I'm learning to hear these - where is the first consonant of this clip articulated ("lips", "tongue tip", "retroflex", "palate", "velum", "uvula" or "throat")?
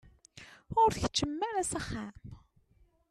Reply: tongue tip